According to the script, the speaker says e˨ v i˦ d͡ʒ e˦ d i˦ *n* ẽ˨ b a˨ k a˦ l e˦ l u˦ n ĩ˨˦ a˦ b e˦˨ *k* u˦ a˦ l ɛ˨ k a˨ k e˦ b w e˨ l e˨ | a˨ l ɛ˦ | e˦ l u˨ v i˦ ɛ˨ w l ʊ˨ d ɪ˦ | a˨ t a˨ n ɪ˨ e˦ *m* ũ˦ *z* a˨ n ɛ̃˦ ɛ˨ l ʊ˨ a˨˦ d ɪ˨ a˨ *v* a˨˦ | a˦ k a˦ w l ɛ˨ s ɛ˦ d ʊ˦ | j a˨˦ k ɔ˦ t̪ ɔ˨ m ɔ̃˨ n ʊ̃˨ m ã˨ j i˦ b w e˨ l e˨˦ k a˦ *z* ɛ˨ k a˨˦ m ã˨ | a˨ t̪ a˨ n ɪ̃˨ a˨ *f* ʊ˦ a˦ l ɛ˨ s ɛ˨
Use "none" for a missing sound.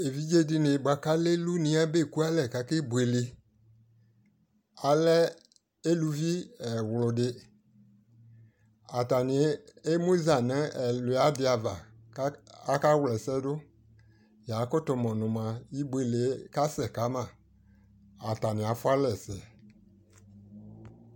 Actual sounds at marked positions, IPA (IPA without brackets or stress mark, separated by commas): n, k, m, z, v, s, f